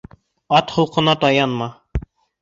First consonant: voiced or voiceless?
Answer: voiceless